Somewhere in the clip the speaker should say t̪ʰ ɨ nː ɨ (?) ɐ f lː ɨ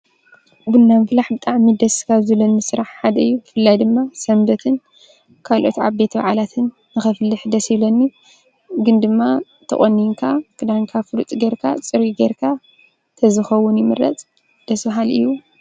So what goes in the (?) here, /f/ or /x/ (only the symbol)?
x